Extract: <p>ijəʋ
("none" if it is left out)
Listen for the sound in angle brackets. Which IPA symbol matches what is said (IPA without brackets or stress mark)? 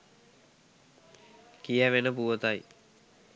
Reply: k